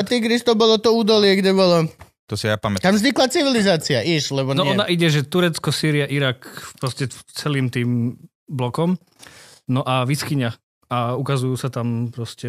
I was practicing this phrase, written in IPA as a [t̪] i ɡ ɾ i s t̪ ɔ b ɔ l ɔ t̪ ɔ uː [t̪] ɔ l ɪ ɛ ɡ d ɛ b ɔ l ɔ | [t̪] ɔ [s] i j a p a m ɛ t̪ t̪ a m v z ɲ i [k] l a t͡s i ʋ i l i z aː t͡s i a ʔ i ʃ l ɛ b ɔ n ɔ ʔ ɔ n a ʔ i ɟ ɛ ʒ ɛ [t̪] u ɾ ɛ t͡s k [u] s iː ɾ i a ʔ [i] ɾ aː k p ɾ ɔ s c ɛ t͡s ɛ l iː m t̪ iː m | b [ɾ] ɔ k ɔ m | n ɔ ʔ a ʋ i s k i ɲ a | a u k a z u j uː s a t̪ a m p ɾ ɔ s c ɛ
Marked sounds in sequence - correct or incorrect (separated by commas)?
correct, incorrect, correct, correct, correct, correct, incorrect, correct, incorrect